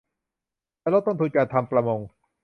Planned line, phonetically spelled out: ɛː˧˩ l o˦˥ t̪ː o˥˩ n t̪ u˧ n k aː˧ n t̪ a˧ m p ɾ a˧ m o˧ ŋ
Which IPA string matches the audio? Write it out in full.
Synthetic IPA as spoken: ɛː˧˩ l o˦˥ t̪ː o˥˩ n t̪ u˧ n k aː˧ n t̪ʰ a˧ m p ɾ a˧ m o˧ ŋ